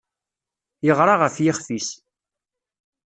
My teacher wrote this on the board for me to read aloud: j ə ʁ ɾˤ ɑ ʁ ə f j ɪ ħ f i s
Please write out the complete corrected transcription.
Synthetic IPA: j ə ʁ ɾˤ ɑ ʁ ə f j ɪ χ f i s